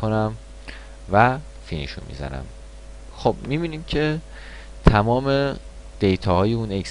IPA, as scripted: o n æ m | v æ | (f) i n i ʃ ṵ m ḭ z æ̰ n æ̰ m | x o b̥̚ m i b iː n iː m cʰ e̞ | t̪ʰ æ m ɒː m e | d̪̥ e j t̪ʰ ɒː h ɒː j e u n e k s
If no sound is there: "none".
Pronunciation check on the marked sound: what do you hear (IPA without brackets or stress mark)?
f